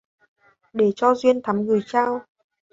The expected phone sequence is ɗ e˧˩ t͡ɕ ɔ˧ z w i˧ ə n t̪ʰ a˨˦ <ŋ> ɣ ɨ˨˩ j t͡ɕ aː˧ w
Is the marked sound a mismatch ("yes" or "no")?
yes